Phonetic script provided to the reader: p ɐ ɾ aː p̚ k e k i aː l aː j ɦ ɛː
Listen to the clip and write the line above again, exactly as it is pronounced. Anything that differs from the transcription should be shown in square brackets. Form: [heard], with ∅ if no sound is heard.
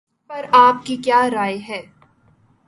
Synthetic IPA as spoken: p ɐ ɾ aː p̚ k [i] k [j] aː [ɾ] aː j ɦ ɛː